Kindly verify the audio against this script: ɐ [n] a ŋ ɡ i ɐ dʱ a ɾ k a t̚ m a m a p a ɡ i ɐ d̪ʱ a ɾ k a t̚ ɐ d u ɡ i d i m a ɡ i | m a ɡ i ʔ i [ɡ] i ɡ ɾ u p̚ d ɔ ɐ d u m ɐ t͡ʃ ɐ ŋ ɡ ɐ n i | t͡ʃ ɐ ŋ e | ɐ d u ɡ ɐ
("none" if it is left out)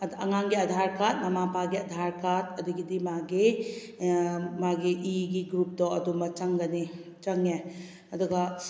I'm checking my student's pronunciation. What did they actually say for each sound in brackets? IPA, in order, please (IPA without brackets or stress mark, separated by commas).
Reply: ŋ, ɡ